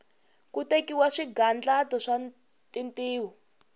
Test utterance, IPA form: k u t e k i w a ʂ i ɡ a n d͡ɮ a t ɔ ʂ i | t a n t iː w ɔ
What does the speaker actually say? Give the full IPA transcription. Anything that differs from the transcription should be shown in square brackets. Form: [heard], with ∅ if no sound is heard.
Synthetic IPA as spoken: k u t e k i w a ʂ i ɡ a n d͡ɮ a t ɔ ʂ [a] | t [i] n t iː w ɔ